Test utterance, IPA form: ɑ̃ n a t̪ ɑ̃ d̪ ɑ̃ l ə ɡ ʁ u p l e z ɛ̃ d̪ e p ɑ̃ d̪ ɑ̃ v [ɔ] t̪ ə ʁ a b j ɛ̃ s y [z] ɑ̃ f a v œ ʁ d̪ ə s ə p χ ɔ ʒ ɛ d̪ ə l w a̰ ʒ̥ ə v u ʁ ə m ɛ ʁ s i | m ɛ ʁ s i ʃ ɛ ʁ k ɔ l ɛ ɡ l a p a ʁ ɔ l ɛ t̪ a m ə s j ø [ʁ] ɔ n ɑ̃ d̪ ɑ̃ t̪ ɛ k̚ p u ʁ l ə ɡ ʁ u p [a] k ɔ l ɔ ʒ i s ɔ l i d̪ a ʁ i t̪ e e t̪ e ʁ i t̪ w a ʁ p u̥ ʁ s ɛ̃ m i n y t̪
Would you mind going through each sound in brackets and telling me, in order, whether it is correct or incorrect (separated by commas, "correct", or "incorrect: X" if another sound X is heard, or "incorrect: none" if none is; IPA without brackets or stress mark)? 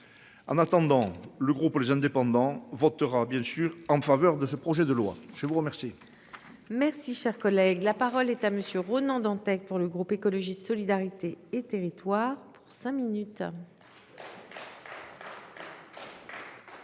correct, incorrect: ʁ, correct, incorrect: e